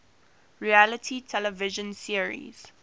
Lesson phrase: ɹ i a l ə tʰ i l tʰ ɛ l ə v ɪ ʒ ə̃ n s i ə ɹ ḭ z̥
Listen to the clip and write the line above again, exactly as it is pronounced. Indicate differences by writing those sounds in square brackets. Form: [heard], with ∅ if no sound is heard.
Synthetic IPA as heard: ɹ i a l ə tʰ i [∅] tʰ ɛ l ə v ɪ ʒ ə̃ n s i ə ɹ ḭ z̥